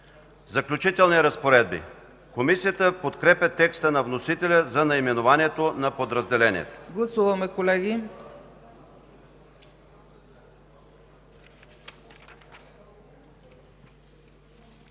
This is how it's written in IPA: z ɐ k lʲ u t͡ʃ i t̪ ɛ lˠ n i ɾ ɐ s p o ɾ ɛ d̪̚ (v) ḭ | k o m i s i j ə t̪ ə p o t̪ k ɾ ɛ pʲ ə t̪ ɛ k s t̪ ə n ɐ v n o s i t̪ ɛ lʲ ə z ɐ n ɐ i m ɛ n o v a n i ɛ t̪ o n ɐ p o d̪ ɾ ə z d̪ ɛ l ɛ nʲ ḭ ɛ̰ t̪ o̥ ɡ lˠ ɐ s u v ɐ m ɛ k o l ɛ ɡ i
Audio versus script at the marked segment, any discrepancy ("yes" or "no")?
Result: yes